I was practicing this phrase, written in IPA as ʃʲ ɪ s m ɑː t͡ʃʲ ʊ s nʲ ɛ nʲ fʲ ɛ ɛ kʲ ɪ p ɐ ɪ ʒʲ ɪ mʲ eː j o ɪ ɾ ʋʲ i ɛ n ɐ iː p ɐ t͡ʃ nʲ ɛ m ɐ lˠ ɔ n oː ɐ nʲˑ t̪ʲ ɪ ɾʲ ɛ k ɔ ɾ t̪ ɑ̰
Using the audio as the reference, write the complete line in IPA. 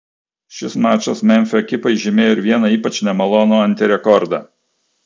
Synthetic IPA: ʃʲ ɪ s m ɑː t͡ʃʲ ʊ s mʲ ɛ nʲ fʲ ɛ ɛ kʲ ɪ p ɐ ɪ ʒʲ ɪ mʲ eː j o ɪ ɾ ʋʲ i ɛ n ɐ iː p ɐ t͡ʃ nʲ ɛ m ɐ lˠ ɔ n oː ɐ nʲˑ t̪ʲ ɪ ɾʲ ɛ k ɔ ɾ d̪ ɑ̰

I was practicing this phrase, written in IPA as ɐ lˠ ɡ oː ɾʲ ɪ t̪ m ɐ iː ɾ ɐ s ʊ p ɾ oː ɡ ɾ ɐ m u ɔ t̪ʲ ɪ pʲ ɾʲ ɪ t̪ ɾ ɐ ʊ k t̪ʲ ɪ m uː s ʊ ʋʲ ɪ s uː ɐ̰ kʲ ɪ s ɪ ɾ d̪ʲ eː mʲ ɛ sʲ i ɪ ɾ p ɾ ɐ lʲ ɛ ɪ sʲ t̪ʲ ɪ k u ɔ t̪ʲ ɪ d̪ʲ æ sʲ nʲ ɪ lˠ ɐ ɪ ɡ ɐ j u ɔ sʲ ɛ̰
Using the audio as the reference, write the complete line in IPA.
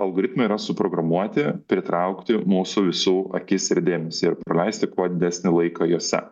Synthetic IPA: ɐ lˠ ɡ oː ɾʲ ɪ t̪ m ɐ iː ɾ ɐ s ʊ p ɾ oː ɡ ɾ ɐ m u ɔ t̪ʲ ɪ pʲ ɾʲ ɪ t̪ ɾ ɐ ʊ k t̪ʲ ɪ m uː s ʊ ʋʲ ɪ s uː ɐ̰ kʲ ɪ s ɪ ɾ d̪ʲ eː mʲ ɛ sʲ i ɪ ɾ p ɾ ɐ lʲ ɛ ɪ sʲ t̪ʲ ɪ k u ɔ d̪ʲ ɪ d̪ʲ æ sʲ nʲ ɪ lˠ ɐ ɪ k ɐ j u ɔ sʲ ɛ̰

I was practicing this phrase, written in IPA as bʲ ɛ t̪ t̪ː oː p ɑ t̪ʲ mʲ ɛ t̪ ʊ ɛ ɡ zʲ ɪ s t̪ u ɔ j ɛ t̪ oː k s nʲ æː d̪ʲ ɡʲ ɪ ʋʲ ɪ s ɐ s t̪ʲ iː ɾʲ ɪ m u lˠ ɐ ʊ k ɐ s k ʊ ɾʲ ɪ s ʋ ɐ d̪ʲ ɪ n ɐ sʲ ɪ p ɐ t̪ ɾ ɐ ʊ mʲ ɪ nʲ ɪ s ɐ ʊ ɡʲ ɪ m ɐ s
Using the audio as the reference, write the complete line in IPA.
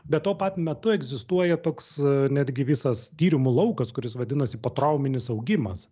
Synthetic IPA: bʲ ɛ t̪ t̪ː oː p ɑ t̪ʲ mʲ ɛ t̪ ʊ ɛ ɡ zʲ ɪ s t̪ u ɔ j ɛ t̪ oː k s nʲ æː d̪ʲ ɡʲ ɪ ʋʲ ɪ s ɐ s t̪ʲ iː ɾʲ ɪ m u lˠ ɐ ʊ k ɐ s k ʊ ɾʲ ɪ s ʋ ɐ d̪ʲ ɪ n ɐ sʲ ɪ p ɐ t̪ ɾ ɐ ʊ mʲ ɪ nʲ ɪ s ɐ ʊ ɡʲ ɪ m ɐ s

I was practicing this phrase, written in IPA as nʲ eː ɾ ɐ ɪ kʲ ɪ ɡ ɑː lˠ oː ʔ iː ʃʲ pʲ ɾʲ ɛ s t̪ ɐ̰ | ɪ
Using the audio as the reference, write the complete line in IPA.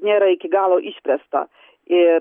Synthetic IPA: nʲ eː ɾ ɐ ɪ kʲ ɪ ɡ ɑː lˠ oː ʔ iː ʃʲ pʲ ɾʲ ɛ s t̪ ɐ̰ | ɪ

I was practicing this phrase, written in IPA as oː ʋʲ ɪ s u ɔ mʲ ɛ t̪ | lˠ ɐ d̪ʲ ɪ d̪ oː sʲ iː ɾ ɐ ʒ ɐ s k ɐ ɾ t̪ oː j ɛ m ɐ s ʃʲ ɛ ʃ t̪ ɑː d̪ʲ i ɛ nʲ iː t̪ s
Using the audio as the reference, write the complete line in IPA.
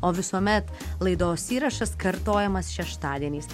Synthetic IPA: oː ʋʲ ɪ s u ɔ mʲ ɛ t̪ | lˠ ɐ ɪ d̪ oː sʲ iː ɾ ɐ ʃ ɐ s k ɐ ɾ t̪ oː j ɛ m ɐ s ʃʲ ɛ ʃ t̪ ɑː d̪ʲ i ɛ nʲ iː s

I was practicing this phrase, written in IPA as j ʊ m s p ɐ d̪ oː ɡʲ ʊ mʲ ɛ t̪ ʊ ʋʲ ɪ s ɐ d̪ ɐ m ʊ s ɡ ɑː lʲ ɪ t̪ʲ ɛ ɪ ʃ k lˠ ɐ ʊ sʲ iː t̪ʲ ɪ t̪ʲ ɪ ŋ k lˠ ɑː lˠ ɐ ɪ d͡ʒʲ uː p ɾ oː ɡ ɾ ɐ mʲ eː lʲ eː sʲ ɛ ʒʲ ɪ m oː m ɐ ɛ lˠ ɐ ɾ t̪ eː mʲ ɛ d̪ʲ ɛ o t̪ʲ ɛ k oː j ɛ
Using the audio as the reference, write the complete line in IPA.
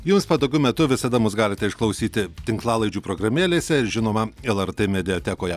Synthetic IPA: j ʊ m s p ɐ d̪ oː ɡʲ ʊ mʲ ɛ t̪ ʊ ʋʲ ɪ s ɐ d̪ ɐ m ʊ s ɡ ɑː lʲ ɪ t̪ʲ ɛ ɪ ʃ k lˠ ɐ ʊ sʲ iː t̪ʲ ɪ t̪ʲ ɪ ŋ k lˠ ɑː lˠ ɐ ɪ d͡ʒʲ uː p ɾ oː ɡ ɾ ɐ mʲ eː lʲ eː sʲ ɛ ʒʲ ɪ n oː m ɐ ɛ lˠ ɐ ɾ t̪ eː mʲ ɛ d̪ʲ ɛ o t̪ʲ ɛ k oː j ɛ

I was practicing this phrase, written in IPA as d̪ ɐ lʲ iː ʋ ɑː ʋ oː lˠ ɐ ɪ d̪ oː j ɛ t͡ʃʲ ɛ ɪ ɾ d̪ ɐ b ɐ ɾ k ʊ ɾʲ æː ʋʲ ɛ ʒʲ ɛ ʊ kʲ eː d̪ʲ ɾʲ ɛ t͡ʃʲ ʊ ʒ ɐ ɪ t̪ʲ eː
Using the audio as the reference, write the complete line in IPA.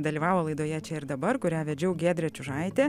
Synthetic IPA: d̪ ɐ lʲ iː ʋ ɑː ʋ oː lˠ ɐ ɪ d̪ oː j ɛ t͡ʃʲ ɛ ɪ ɾ d̪ ɐ b ɐ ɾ k ʊ ɾʲ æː ʋʲ ɛ d͡ʒʲ ɛ ʊ ɡʲ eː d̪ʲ ɾʲ ɛ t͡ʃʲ ʊ ʒ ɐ ɪ t̪ʲ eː

